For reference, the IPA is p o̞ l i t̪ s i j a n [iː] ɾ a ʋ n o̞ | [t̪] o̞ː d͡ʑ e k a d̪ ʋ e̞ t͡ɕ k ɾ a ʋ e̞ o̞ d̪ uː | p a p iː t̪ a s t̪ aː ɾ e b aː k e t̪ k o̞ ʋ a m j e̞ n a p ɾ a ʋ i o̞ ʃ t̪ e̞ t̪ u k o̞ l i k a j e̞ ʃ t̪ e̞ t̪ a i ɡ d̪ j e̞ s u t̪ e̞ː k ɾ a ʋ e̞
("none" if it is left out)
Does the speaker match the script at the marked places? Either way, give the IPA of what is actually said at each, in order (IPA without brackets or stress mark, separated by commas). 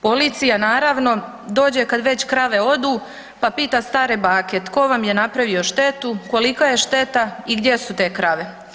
aː, d̪